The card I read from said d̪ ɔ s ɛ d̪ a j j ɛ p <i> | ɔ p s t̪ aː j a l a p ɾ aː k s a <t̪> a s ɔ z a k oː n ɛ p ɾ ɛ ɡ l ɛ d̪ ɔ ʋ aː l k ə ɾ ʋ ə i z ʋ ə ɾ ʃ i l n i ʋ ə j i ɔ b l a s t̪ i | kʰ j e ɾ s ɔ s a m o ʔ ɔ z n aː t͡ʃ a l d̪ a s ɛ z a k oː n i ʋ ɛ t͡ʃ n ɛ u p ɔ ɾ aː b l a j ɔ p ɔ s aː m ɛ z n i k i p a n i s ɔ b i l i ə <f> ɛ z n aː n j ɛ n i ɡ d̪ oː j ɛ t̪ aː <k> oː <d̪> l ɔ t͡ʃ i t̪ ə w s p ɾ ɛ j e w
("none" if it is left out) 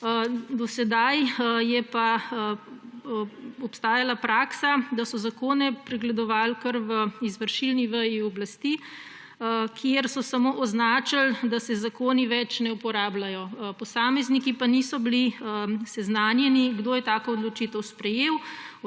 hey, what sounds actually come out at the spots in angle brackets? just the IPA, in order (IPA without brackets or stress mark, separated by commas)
a, d̪, s, k, d̪